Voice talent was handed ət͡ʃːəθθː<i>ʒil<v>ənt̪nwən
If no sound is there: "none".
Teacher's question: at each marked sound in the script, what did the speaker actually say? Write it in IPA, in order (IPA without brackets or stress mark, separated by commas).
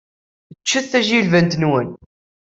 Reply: æ, v